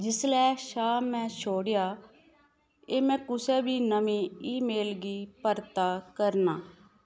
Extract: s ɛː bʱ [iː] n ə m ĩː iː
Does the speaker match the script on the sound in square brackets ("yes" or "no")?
yes